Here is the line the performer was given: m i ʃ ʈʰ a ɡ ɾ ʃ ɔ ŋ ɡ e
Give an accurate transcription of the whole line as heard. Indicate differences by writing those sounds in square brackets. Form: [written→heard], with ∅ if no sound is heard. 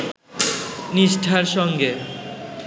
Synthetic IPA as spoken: [m→n] i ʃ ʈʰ a [ɡ→∅] ɾ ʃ ɔ ŋ ɡ e